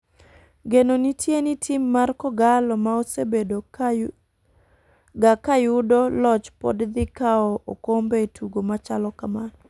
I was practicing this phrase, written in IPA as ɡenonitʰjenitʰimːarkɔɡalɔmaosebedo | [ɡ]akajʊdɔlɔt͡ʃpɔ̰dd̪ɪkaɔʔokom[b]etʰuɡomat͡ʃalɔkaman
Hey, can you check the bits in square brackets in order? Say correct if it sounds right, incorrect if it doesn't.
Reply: correct, correct

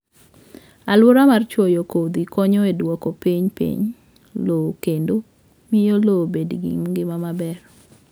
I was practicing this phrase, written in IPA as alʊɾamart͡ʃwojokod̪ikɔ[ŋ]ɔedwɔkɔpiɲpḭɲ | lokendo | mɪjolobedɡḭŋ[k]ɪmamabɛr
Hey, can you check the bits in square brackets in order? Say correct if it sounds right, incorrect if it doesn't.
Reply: incorrect, incorrect

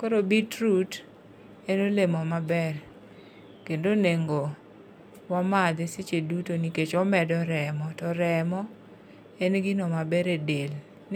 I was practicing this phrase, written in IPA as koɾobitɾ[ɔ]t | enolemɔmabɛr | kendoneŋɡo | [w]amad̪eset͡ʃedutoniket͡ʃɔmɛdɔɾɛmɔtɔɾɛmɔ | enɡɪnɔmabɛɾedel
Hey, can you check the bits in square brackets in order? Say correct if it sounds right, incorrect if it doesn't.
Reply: incorrect, correct

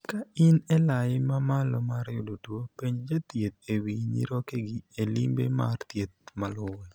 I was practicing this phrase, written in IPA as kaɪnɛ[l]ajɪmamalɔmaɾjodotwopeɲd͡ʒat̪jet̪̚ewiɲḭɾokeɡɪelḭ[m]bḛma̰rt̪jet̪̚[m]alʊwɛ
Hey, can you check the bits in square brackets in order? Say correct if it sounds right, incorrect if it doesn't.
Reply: correct, correct, correct

